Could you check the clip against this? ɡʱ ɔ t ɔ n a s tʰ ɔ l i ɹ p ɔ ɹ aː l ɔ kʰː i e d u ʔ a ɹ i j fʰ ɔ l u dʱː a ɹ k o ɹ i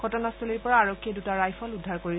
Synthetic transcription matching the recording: ɡʱ ɔ t ɔ n a s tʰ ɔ l i ɹ p ɔ ɹ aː ɹ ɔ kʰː i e d u t a ɹ a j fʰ ɔ l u dʱː a ɹ k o ɹ i